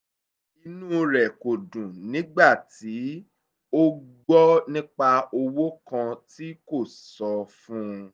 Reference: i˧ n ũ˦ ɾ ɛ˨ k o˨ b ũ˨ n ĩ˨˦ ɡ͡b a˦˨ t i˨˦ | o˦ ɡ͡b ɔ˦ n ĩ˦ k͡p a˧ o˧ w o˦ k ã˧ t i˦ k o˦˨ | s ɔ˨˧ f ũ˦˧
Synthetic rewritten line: i˧ n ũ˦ ɾ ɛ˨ k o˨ d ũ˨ n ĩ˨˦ ɡ͡b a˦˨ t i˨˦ | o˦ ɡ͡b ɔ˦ n ĩ˦ k͡p a˧ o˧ w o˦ k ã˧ t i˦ k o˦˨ | s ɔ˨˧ f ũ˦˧